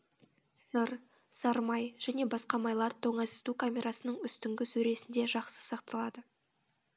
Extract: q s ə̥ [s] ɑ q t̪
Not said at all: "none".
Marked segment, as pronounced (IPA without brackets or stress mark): s